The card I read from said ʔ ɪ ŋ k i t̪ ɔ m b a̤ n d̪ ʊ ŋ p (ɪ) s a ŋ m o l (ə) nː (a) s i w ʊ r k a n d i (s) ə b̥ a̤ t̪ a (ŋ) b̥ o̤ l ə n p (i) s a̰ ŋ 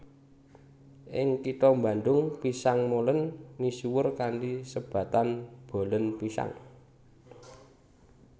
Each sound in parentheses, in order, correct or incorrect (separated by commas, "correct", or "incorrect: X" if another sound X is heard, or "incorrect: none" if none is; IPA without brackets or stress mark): incorrect: i, correct, incorrect: i, correct, incorrect: n, correct